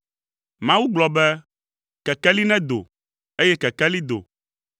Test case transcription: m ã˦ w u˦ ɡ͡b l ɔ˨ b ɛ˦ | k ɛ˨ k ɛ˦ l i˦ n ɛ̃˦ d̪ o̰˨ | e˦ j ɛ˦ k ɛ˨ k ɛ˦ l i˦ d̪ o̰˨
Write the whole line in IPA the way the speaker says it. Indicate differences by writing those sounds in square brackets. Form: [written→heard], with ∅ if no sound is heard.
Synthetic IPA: m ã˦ w u˦ ɡ͡b l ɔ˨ b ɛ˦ | k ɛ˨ k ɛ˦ l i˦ n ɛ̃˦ d̪ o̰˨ | e˦ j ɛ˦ k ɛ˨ k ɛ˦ l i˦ d̪ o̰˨